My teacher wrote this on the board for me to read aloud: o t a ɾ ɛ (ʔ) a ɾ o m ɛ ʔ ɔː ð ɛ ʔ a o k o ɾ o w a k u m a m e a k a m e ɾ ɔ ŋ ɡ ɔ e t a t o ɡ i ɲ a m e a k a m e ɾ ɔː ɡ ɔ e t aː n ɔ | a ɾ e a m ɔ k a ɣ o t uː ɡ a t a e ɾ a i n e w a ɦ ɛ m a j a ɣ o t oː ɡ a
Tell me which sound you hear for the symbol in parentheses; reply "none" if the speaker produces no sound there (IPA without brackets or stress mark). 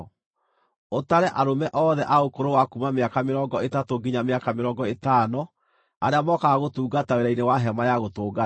ʔ